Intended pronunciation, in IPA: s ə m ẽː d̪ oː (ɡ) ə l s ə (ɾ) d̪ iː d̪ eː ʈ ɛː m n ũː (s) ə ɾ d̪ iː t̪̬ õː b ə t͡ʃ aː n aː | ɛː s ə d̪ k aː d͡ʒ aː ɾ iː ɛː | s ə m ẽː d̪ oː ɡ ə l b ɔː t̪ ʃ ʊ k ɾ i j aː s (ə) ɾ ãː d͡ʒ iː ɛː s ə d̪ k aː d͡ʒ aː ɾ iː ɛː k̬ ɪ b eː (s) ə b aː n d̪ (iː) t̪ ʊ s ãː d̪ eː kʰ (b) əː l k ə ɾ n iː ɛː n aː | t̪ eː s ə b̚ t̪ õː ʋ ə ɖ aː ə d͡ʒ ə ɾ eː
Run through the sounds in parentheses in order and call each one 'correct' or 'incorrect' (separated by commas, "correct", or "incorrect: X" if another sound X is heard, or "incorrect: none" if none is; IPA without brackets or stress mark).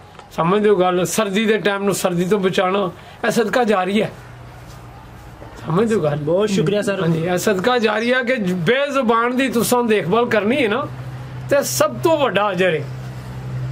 correct, correct, correct, correct, incorrect: z, correct, correct